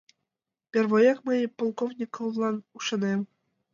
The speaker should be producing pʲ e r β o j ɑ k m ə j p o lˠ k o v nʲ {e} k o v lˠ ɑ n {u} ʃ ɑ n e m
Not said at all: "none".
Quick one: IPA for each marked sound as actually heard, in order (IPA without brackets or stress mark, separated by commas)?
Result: i, u